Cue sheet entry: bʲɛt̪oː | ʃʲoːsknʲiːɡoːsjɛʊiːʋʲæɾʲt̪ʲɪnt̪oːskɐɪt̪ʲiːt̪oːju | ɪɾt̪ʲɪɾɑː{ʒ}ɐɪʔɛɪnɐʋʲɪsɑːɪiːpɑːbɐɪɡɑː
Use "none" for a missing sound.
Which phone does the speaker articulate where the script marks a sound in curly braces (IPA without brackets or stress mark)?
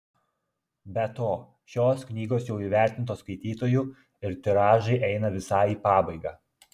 ʒ